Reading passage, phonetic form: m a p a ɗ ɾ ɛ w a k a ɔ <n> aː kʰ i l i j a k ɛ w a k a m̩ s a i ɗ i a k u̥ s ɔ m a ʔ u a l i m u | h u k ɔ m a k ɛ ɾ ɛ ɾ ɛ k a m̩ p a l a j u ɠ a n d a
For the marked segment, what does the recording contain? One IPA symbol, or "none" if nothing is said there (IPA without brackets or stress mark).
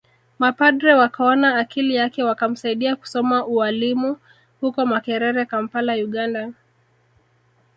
n